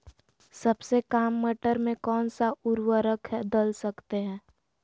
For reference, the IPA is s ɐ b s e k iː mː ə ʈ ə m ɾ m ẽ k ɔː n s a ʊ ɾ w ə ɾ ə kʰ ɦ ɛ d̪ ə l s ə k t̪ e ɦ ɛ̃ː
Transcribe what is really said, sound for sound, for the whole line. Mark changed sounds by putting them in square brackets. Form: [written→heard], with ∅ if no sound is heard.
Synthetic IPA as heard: s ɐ b s e k [iː→aː] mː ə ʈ ə [m→∅] ɾ m ẽ k ɔː n s a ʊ ɾ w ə ɾ ə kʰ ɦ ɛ d̪ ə l s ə k t̪ e ɦ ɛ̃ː